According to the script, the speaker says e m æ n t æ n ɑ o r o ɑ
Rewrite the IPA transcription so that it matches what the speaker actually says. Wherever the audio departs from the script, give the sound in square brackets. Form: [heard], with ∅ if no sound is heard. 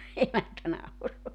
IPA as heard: e m æ n t æ n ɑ [u] r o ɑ